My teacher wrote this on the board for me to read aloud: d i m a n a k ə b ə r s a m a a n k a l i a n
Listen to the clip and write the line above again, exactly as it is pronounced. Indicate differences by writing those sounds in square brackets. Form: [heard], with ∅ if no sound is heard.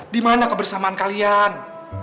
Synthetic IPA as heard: d i m a n a k ə b ə r s a m a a n k a l i a n